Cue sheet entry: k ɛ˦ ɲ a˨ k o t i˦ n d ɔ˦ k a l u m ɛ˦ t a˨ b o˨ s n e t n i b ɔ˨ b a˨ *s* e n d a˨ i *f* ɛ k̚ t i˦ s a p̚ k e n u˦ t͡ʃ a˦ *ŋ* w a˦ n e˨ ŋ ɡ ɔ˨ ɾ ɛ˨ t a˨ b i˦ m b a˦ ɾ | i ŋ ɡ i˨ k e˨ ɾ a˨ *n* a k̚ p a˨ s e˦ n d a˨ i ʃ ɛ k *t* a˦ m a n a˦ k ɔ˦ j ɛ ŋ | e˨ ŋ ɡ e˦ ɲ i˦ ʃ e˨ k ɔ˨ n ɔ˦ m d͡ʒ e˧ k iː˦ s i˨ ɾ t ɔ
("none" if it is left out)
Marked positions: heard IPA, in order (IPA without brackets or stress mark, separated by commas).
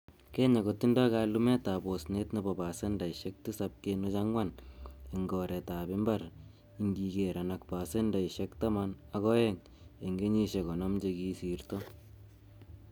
s, ʃ, ŋ, n, t